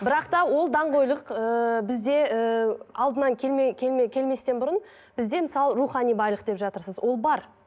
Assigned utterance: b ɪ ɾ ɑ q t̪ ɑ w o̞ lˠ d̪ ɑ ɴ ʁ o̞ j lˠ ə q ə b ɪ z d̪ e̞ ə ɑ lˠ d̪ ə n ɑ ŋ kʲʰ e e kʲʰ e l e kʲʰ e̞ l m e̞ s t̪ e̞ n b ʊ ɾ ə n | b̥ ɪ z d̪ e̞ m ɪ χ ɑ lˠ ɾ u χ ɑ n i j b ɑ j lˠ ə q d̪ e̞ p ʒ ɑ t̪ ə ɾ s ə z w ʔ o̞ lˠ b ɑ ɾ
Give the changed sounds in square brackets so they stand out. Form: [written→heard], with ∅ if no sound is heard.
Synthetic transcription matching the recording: b ɪ ɾ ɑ q t̪ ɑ w o̞ lˠ d̪ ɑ ɴ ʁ o̞ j lˠ ə q ə b ɪ z d̪ e̞ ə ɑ lˠ d̪ ə n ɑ ŋ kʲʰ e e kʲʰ e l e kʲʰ e̞ l m e̞ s t̪ e̞ n b ʊ ɾ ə n | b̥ ɪ z d̪ e̞ m ɪ [χ→s] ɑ lˠ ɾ u χ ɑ n i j b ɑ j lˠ ə q d̪ e̞ p ʒ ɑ t̪ ə ɾ s ə z w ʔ o̞ lˠ b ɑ ɾ